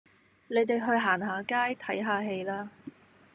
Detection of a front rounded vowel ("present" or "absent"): absent